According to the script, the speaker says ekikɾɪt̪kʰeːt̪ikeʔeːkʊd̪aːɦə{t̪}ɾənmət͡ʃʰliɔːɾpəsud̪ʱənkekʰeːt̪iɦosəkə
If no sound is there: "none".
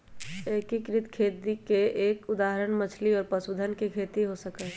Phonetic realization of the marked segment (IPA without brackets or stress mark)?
none